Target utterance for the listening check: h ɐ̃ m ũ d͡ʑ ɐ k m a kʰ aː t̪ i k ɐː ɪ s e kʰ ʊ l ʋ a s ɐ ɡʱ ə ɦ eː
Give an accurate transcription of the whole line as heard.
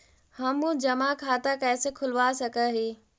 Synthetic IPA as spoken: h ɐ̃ m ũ d͡ʑ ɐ m a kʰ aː t̪ a k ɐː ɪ s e kʰ ʊ l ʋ a s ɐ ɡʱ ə ɦ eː